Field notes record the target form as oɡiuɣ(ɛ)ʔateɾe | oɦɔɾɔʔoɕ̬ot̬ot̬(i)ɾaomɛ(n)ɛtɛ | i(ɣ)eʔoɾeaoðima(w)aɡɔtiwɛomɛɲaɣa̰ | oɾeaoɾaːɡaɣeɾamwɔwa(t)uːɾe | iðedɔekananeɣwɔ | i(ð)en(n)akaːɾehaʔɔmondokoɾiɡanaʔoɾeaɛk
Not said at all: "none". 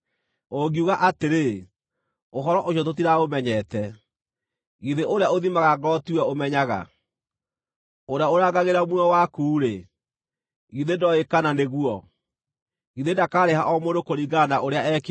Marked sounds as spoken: a, i, ɲ, ð, ɣ, k, ð, d

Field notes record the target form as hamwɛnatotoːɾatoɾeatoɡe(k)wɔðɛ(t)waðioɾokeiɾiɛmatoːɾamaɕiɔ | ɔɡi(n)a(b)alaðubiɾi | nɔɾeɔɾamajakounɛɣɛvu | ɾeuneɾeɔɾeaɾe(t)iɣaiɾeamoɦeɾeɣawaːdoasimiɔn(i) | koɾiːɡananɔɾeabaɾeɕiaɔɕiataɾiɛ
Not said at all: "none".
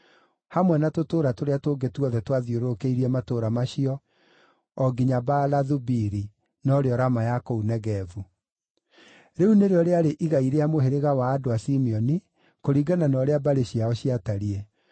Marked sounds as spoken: t, t, ɲ, b, ʔ, i

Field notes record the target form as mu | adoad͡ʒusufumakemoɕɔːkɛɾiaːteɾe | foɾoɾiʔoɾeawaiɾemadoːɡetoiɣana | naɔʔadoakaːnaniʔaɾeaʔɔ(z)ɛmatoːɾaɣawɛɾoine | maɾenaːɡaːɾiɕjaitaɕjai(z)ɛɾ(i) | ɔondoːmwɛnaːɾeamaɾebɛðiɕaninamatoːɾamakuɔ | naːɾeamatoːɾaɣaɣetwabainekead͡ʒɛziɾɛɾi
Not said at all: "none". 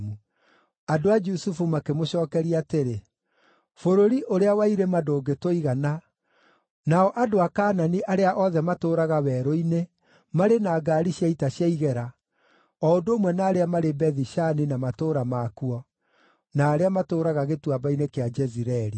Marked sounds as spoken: ð, ɣ, a

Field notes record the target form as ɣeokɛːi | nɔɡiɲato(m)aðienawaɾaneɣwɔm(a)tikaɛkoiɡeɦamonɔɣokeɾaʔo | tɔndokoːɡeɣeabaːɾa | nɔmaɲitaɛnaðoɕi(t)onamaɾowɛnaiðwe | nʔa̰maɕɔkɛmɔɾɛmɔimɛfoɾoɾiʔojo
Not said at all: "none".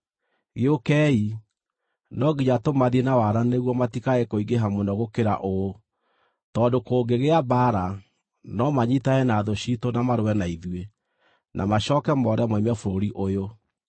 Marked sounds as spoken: m, a, t

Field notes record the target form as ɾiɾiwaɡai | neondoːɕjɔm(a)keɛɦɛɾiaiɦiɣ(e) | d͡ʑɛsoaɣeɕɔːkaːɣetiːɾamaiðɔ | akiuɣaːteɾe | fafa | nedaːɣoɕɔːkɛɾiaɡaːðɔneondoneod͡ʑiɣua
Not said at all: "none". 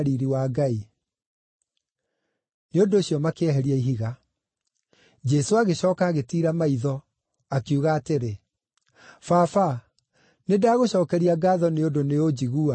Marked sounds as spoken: a, a

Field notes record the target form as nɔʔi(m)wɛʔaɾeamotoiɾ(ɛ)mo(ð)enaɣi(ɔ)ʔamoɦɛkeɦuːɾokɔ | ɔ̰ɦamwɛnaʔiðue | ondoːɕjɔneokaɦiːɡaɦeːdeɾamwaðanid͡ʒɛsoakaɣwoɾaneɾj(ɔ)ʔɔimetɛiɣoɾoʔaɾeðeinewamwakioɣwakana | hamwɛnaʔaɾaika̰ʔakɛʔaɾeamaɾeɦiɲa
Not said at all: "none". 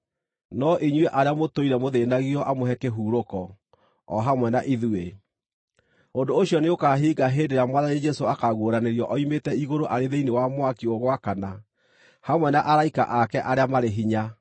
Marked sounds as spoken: ɲ, ɛ, ð, ɔ, ɔ

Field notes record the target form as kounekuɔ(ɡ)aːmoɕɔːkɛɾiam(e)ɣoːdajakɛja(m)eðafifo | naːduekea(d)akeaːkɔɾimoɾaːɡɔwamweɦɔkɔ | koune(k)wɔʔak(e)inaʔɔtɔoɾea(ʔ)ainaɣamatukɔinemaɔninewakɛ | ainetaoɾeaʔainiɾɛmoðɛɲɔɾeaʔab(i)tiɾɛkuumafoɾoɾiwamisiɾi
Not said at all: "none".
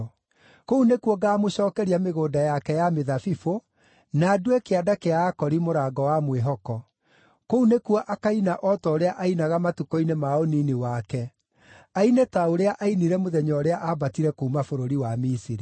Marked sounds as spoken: ɡ, e, m, d, k, a, ʔ, a

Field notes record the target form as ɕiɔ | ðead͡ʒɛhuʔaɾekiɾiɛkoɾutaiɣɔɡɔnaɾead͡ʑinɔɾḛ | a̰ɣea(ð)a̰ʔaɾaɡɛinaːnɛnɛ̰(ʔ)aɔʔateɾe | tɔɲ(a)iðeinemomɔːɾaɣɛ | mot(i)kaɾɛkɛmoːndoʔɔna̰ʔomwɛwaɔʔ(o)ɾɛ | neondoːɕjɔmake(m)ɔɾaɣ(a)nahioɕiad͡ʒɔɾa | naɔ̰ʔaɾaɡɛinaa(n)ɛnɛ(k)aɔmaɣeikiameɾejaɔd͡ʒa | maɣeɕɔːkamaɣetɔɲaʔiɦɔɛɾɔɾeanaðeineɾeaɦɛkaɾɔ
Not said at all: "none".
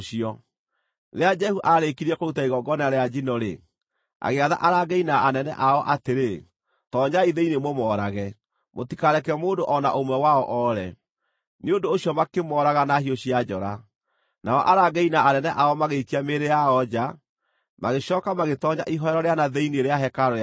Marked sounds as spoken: ð, ʔ, a, i, ɔ, m, a, n, ʔ

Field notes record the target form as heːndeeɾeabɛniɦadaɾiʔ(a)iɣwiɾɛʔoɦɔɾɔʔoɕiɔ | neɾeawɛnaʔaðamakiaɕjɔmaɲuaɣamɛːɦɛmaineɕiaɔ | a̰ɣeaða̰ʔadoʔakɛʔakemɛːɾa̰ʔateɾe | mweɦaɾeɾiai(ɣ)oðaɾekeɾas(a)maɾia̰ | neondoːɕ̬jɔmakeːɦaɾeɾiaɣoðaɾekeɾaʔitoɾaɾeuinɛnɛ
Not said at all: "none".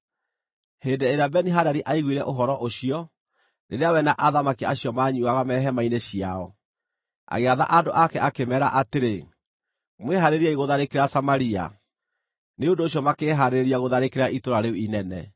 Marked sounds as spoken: a, ɣ, a

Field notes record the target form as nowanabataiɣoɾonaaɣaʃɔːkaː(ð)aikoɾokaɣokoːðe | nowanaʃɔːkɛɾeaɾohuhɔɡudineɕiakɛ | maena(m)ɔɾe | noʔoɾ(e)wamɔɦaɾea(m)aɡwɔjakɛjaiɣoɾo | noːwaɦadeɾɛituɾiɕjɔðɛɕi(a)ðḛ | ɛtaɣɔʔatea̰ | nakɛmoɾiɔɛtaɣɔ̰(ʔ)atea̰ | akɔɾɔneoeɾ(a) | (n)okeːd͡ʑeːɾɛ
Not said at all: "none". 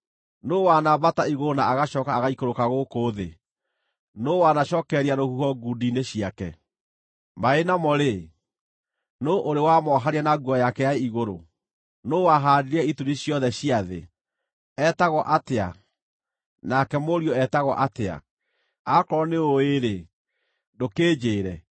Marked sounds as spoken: ɣ, m, e, n, a, ʔ, e, d

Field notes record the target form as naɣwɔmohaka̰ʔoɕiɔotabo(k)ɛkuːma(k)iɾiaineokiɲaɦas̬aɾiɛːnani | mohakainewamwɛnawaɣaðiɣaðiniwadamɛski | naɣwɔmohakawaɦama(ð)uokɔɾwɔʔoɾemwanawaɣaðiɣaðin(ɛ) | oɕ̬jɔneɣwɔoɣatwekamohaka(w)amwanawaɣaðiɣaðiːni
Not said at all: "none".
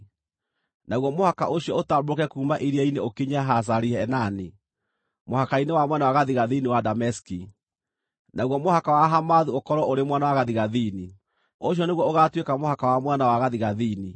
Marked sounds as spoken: k, ʔ, ð, i, w

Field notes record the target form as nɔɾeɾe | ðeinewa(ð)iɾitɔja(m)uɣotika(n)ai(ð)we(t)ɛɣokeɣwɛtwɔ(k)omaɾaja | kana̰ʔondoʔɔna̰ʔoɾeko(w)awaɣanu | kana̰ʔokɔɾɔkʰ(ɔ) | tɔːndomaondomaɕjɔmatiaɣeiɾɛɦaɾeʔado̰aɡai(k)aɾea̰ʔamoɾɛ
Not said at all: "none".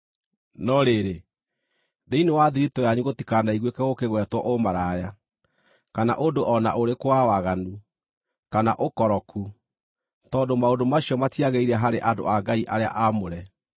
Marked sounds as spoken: ð, ɲ, n, ɣ, k, ʔ, w, u, ʔ

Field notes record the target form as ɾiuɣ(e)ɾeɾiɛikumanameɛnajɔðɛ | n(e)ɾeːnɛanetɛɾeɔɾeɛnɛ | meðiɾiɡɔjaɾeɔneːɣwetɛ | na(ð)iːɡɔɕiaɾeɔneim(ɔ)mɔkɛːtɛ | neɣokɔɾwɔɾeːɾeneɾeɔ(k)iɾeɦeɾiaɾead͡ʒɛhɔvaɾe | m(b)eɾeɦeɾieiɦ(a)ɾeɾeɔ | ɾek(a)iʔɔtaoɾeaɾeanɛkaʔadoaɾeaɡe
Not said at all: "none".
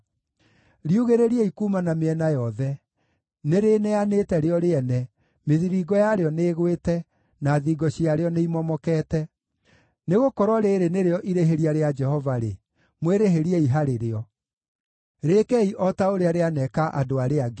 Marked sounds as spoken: e, e, ð, ɔ, ʔ, w, a, ɛ

